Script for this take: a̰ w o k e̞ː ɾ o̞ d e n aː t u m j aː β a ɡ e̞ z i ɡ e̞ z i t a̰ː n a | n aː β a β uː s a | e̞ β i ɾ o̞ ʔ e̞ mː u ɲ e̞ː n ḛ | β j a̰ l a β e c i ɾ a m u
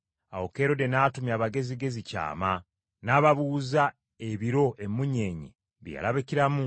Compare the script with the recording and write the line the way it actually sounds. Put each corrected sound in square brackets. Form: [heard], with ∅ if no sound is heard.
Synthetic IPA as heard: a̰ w o k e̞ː ɾ o̞ d e n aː t u m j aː β a ɡ e̞ z i ɡ e̞ z i [c] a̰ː [m] a | n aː β a β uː [z] a | e̞ β i ɾ o̞ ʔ e̞ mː u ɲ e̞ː [ɲ] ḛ | β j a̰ l a β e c i ɾ a m u